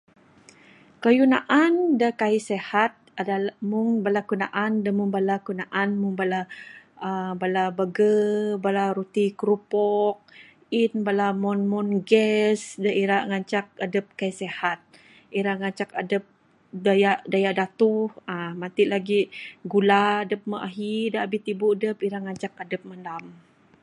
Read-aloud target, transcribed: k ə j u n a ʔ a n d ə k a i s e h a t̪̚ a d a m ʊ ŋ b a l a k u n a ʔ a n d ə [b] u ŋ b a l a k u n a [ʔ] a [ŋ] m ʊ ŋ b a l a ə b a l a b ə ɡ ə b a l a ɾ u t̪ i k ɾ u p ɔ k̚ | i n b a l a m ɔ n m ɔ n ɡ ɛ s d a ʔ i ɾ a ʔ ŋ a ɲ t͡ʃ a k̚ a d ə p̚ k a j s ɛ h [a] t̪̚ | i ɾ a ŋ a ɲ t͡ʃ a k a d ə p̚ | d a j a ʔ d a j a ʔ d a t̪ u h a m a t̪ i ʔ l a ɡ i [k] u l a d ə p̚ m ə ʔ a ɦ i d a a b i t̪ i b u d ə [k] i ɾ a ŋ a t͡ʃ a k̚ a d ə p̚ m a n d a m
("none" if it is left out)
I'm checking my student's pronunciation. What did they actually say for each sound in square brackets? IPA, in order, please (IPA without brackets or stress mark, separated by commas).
m, ʔ, n, a, ɡ, p